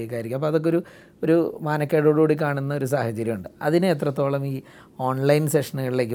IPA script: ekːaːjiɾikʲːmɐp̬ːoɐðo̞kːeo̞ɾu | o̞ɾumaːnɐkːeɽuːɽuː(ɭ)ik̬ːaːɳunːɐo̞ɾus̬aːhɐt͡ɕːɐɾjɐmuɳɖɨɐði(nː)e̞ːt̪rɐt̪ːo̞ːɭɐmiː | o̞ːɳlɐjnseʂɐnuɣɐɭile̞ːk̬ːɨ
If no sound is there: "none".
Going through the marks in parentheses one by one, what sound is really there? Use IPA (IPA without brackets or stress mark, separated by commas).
ɽ, n